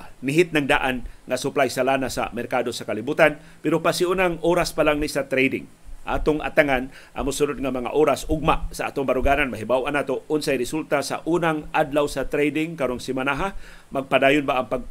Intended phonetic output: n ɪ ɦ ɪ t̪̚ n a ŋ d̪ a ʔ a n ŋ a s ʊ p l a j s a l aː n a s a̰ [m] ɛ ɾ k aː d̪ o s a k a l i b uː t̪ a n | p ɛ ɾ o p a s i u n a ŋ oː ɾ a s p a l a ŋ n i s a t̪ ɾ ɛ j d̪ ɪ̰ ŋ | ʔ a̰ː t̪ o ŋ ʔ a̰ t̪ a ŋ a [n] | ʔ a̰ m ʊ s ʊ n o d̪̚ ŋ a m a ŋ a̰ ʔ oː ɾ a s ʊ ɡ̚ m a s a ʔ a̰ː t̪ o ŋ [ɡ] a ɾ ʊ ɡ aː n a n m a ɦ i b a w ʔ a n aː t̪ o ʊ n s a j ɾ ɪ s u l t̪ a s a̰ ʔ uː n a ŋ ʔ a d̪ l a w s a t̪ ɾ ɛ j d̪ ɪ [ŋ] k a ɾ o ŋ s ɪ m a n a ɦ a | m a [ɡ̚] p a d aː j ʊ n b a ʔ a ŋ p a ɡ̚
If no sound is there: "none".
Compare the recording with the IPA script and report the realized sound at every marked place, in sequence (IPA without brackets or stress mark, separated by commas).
m, n, b, ŋ, ɡ̚